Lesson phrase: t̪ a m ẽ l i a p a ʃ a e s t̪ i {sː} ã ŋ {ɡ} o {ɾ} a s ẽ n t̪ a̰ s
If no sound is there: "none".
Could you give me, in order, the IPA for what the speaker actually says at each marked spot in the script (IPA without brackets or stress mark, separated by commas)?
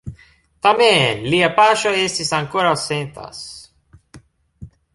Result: s, k, ɾ